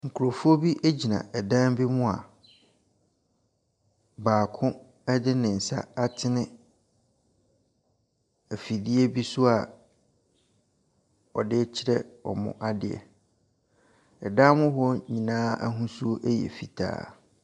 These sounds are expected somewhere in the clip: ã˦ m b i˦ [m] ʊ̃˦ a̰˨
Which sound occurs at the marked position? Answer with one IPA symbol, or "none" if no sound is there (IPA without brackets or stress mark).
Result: m